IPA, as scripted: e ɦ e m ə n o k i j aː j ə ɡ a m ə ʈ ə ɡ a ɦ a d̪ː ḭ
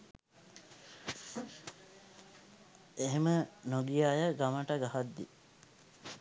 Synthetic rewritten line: e ɦ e m ə n o ɡ i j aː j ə ɡ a m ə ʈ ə ɡ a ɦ a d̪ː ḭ

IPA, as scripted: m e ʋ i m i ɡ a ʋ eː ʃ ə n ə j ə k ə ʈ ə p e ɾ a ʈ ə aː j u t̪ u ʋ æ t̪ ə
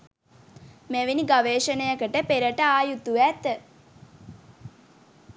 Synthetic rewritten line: m e ʋ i n i ɡ a ʋ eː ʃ ə n ə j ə k ə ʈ ə p e ɾ ə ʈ ə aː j u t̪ u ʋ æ t̪ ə

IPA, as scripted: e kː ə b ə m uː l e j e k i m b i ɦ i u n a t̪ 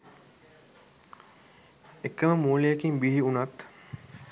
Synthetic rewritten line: e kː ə m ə m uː l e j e k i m b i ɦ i u n a t̪

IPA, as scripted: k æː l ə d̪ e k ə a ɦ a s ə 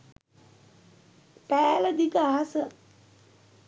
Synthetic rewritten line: p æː l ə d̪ i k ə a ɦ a s ə

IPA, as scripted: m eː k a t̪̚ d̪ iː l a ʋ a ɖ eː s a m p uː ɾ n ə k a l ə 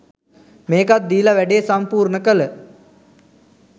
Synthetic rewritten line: m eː k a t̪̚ d̪ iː l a ʋ æ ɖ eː s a m p uː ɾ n ə k ə l ə

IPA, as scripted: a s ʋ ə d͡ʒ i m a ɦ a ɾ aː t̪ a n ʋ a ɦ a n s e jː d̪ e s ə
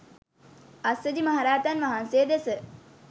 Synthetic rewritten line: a s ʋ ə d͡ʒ i m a ɦ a ɾ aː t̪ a n ʋ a ɦ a n s e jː d̪ e s ə

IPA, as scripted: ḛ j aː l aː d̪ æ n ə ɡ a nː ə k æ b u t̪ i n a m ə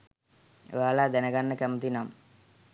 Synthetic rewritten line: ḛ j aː l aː d̪ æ n ə ɡ a nː ə k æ m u t̪ i n a m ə

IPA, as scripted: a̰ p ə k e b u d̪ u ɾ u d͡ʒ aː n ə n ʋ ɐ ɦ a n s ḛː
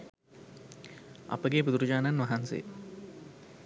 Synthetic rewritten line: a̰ p ə ɡ e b u d̪ u ɾ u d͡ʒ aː n a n ʋ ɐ ɦ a n s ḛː

